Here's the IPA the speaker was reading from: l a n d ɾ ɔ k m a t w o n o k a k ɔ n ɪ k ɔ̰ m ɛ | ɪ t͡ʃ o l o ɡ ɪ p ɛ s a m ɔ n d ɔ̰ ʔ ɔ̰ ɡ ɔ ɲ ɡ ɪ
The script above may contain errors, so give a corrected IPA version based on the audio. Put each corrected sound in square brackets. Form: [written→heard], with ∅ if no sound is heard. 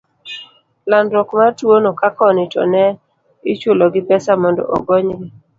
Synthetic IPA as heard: l a n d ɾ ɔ k m a t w o n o k a k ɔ n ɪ [k→t] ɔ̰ [m→n] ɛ | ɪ t͡ʃ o l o ɡ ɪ p ɛ s a m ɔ n d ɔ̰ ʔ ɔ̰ ɡ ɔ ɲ ɡ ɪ